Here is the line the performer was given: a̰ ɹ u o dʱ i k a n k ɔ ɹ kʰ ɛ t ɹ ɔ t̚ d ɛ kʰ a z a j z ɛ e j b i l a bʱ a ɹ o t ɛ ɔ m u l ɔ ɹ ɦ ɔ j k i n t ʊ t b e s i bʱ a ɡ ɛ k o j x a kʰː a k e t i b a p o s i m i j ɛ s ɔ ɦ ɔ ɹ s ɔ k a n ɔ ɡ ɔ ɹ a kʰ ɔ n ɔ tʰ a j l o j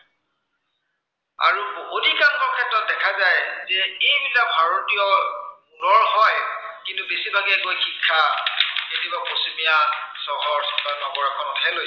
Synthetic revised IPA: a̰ ɹ u o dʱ i k a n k ɔ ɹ kʰ ɛ t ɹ ɔ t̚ d ɛ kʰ a z a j z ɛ e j b i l a bʱ a ɹ o t i ɔ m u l ɔ ɹ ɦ ɔ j k i n t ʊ b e s i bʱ a ɡ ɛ k o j x i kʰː a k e t i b a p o s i m i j a s ɔ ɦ ɔ ɹ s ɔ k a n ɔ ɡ ɔ ɹ a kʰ ɔ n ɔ tʰ a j l o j